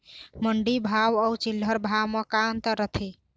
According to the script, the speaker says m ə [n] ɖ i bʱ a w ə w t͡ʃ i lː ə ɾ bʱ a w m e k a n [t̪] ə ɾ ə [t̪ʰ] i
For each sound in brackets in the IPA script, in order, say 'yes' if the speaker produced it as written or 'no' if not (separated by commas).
no, yes, yes